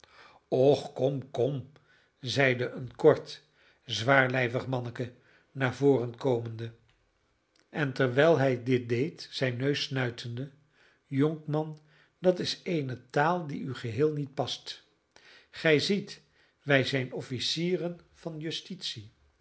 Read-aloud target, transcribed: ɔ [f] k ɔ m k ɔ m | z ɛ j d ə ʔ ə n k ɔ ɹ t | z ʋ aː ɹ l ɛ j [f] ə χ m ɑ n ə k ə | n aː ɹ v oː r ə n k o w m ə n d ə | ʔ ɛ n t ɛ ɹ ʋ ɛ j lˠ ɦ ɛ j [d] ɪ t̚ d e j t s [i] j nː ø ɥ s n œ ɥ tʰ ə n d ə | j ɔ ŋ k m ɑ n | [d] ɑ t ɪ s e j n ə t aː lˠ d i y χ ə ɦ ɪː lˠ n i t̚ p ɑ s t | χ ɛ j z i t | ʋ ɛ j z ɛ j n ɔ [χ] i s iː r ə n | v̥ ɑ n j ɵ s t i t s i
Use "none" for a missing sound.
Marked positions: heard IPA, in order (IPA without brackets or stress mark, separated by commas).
χ, v, d, ɛ, d, f